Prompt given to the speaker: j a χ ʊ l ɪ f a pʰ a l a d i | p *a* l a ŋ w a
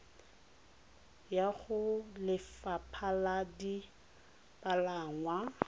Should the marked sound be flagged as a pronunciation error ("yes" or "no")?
no